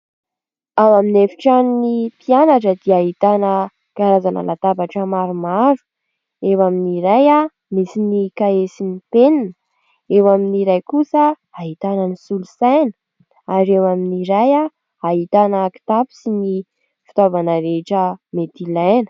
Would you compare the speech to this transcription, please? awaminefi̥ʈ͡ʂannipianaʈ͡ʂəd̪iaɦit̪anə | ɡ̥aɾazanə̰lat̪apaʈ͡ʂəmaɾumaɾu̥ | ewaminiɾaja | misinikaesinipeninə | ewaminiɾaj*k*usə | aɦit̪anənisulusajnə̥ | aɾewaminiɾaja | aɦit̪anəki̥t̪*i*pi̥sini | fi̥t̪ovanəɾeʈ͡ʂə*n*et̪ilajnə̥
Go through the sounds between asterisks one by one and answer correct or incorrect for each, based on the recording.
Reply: correct, incorrect: a, incorrect: m

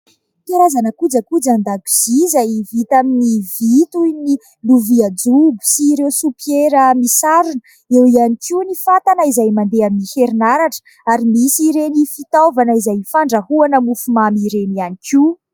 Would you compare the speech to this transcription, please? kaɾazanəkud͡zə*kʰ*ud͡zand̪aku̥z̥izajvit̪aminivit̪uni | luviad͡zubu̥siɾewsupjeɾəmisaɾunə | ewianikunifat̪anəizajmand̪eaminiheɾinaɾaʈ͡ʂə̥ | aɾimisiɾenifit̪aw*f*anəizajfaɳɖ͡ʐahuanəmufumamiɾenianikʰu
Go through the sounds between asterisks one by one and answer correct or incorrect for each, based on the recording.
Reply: incorrect: k, incorrect: v

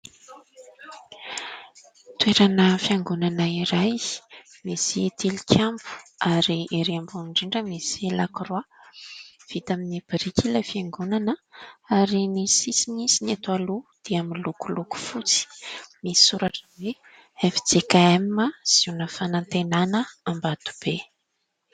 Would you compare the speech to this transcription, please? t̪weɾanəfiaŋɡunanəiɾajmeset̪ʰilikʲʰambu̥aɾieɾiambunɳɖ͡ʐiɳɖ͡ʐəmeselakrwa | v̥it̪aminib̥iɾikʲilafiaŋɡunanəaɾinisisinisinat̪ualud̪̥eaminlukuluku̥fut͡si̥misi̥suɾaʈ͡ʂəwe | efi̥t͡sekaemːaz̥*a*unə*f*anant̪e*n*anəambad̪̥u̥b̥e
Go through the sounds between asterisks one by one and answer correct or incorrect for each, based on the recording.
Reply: incorrect: i, correct, correct

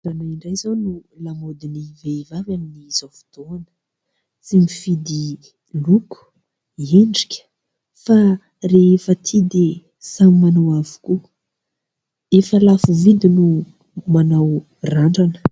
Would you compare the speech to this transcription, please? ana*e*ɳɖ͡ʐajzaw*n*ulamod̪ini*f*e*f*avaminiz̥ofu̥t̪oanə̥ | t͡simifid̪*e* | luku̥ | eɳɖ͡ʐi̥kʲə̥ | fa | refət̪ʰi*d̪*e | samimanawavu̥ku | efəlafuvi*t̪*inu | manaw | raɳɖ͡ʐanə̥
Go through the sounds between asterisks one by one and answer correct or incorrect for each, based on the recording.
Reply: incorrect: i, correct, incorrect: v, incorrect: v, incorrect: i, correct, incorrect: d̪

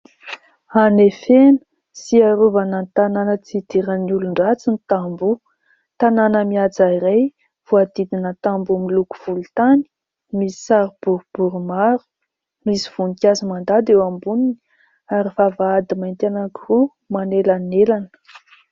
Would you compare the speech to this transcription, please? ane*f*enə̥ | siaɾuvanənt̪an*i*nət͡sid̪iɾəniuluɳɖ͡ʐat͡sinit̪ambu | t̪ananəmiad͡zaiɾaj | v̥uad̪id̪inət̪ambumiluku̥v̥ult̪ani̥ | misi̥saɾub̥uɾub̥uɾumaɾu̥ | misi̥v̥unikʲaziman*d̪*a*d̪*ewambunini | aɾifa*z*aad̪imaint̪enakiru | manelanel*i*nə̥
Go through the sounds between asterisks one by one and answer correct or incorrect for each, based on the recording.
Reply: correct, incorrect: a, correct, correct, incorrect: v, incorrect: a

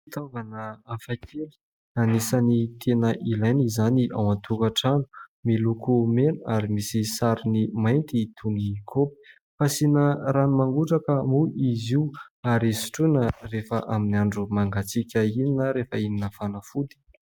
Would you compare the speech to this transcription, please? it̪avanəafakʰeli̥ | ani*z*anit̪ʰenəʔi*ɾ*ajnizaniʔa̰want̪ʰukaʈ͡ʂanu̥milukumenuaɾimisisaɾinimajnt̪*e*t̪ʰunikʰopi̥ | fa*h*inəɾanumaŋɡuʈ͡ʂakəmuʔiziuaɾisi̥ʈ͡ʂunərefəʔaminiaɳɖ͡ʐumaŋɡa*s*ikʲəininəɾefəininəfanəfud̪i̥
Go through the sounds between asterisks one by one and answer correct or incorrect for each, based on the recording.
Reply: incorrect: s, incorrect: l, incorrect: i, incorrect: s, incorrect: t͡s

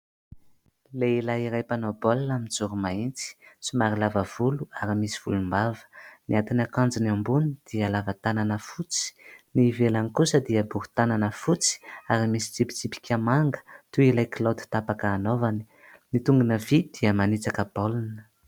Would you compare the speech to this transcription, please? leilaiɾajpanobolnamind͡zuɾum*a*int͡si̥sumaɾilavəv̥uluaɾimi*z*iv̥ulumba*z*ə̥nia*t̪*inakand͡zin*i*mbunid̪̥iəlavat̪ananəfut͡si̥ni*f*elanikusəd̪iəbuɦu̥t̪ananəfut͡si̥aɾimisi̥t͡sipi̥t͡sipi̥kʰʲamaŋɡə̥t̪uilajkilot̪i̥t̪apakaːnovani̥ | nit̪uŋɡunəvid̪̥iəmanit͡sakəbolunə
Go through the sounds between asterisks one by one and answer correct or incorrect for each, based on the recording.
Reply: correct, incorrect: s, incorrect: v, correct, incorrect: a, incorrect: v

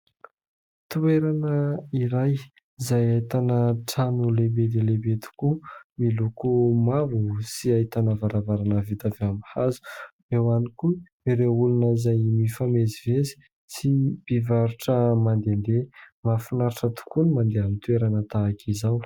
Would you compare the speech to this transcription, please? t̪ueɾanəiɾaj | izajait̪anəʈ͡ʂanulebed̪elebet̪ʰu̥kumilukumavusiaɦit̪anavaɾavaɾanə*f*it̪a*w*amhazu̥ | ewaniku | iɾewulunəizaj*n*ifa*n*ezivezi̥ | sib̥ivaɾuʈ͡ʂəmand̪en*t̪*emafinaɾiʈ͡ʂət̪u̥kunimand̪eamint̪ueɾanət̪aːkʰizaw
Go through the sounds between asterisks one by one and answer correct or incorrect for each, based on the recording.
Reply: incorrect: v, incorrect: v, incorrect: m, incorrect: m, incorrect: d̪

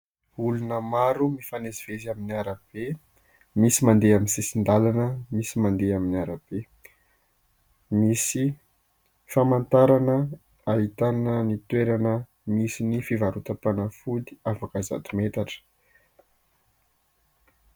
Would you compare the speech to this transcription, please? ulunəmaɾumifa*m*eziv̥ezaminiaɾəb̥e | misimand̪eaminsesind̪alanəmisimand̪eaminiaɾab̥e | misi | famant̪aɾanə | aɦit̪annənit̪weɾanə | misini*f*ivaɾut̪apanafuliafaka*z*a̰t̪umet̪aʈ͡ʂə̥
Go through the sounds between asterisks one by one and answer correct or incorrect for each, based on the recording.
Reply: incorrect: n, correct, correct

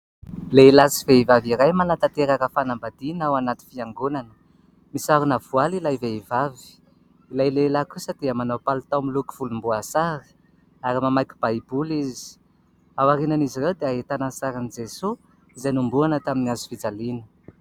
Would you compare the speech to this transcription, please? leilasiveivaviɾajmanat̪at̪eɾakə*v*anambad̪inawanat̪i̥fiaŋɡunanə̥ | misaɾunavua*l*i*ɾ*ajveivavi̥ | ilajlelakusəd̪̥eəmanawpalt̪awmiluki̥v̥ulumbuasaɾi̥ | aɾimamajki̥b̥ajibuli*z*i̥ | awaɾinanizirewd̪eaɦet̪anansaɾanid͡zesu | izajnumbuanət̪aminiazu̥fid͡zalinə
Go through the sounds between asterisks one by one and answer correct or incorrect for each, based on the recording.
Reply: incorrect: f, correct, incorrect: l, correct

